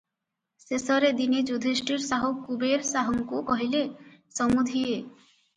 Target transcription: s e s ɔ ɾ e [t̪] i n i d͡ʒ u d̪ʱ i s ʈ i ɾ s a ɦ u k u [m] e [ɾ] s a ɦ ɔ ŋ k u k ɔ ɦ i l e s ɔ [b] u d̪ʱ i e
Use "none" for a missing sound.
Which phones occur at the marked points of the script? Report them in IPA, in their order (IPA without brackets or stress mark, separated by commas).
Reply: d̪, b, ɾ, m